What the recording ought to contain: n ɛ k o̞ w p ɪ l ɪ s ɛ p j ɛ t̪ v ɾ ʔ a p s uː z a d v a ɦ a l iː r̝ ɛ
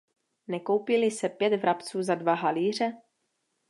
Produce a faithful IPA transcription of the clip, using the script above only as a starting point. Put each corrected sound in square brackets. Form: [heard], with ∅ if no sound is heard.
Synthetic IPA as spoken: n ɛ k o̞ w p ɪ l ɪ s ɛ p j ɛ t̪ v ɾ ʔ a p [t͡s] uː z a d v a ɦ a l iː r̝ ɛ